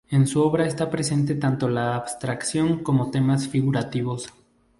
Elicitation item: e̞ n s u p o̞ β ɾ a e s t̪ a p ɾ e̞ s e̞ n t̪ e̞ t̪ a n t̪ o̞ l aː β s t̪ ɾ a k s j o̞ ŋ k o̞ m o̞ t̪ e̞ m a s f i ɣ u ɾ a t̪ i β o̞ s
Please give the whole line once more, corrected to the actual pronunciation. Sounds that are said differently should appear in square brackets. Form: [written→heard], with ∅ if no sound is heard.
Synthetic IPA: e̞ n s u [p→∅] o̞ β ɾ a e s t̪ a p ɾ e̞ s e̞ n t̪ e̞ t̪ a n t̪ o̞ l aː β s t̪ ɾ a k s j o̞ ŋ k o̞ m o̞ t̪ e̞ m a s f i ɣ u ɾ a t̪ i β o̞ s